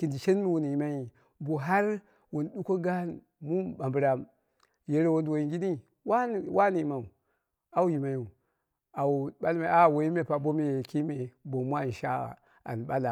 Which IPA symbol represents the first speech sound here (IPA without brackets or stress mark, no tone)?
k